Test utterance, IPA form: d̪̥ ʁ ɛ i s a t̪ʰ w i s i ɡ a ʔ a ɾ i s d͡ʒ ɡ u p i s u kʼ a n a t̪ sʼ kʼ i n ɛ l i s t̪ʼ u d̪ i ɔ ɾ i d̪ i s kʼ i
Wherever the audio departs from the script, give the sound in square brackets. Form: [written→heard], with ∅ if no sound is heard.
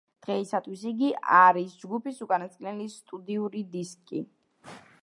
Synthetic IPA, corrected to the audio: d̪̥ ʁ ɛ i s a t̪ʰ w i s i ɡ [a→i] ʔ a ɾ i s d͡ʒ ɡ u p i s u kʼ a n a t̪ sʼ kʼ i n ɛ l i s t̪ʼ u d̪ i [ɔ→u] ɾ i d̪ i s kʼ i